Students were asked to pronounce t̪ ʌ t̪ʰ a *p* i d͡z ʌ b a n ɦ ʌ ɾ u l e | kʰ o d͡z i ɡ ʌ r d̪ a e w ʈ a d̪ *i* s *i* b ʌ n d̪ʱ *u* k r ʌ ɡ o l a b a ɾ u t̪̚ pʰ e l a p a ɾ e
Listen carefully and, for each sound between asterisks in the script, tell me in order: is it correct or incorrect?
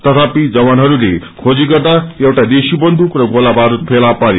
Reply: correct, incorrect, correct, correct

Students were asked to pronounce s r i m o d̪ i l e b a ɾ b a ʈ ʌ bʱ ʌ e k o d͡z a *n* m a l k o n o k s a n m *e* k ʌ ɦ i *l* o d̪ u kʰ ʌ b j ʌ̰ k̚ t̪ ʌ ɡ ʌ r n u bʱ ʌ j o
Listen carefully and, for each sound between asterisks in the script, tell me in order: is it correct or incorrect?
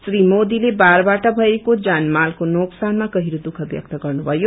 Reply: correct, incorrect, incorrect

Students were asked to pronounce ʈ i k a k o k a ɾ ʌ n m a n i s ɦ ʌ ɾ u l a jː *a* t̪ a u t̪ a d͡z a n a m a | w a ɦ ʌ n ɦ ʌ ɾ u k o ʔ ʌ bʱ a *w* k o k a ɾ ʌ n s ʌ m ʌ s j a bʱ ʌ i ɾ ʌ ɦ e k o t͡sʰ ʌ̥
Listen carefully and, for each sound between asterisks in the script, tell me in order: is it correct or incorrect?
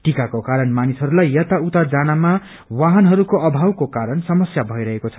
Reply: incorrect, correct

